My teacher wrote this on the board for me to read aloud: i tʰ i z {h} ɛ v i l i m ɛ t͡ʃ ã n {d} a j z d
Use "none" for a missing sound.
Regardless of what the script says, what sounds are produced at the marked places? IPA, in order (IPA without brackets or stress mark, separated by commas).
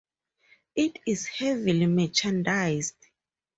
h, d